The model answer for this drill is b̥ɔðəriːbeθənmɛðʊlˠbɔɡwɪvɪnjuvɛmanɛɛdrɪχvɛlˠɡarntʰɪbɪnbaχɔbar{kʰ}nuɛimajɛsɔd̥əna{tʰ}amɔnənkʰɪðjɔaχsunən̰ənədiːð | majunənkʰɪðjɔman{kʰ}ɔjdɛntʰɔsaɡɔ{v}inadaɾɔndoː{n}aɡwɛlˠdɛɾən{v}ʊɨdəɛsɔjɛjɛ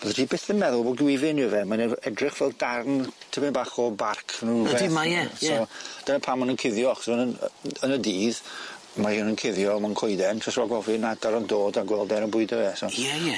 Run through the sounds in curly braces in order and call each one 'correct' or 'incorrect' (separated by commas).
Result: correct, incorrect, correct, correct, incorrect, incorrect